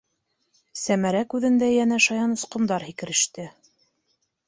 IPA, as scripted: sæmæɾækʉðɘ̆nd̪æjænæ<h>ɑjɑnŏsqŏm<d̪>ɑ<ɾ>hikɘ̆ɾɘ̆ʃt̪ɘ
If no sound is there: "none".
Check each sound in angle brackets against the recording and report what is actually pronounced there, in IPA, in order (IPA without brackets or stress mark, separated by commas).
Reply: ʃ, d̪, ɾ